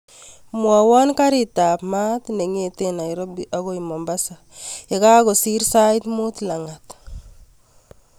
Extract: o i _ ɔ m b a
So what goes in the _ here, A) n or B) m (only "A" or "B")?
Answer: B